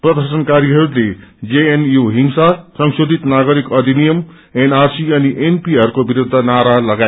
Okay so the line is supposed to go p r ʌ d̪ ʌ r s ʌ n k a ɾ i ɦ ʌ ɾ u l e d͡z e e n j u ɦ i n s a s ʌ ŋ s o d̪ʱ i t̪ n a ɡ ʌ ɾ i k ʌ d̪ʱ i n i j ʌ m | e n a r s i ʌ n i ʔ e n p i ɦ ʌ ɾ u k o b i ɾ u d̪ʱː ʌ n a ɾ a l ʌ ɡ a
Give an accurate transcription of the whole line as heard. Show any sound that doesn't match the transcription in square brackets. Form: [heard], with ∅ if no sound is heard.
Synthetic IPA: p r ʌ d̪ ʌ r s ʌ n k a ɾ i ɦ ʌ ɾ u l e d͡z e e n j u ɦ i [ŋ] s a s ʌ ŋ s o d̪ʱ i t̪ n a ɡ ʌ ɾ i k ʌ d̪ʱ i n i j ʌ m | e n a r s i ʌ n i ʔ e n p i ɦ ʌ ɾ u k o b i ɾ u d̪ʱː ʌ n a ɾ a l ʌ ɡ a